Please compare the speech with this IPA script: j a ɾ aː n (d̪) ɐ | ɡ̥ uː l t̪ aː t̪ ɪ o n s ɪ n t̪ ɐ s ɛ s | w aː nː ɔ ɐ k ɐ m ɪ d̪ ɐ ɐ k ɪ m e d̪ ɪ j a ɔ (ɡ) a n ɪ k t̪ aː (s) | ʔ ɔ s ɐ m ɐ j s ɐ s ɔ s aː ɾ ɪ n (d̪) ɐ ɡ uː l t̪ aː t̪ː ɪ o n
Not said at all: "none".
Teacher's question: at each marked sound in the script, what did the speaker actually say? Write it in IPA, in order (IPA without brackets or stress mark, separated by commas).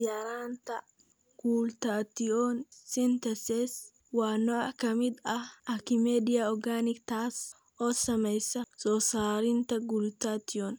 t̪, ɡ, s, t̪